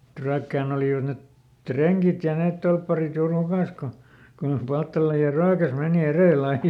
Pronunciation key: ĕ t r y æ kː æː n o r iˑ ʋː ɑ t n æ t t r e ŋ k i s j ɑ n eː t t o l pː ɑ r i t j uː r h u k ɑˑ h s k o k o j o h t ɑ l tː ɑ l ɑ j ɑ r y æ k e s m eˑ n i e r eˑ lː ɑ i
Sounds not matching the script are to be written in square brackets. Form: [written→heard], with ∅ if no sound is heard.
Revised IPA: ĕ t r y æ kː æː n o [r→l] iˑ [ʋː→ʋ] ɑ t n [æ→e] t t r e ŋ k i [s→t] j ɑ n eː t t o l pː ɑ r i t j uː r h u k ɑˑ [h→∅] s k o k o j o h [t→p] ɑ l tː ɑ l ɑ j ɑ r y æ k [e→æ] s m eˑ n i e r eˑ lː ɑ i